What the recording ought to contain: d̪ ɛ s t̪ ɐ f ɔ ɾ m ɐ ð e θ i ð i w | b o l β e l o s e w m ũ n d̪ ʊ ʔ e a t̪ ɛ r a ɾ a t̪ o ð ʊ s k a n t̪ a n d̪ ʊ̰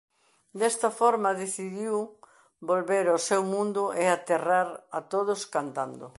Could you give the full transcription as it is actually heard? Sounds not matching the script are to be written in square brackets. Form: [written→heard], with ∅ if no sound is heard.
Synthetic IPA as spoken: d̪ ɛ s t̪ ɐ f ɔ ɾ m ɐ ð e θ i ð i w | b o l β e [l→ɾ] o s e w m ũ n d̪ ʊ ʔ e a t̪ [ɛ→e] r a ɾ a t̪ o ð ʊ s k a n t̪ a n d̪ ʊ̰